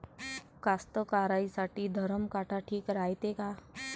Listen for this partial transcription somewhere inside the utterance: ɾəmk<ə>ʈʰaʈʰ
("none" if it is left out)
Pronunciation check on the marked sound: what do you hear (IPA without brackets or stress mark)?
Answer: a